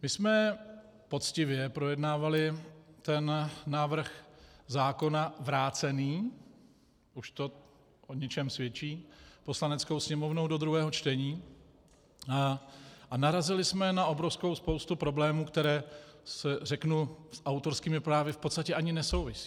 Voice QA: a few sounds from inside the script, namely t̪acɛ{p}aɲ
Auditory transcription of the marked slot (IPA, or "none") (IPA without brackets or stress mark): ʔ